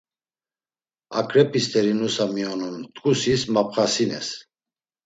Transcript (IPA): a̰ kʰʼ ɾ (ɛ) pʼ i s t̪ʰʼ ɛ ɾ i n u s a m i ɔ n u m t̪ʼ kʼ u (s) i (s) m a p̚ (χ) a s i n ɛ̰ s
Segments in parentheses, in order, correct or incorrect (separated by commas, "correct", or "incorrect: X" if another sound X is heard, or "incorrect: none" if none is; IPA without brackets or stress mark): correct, correct, correct, correct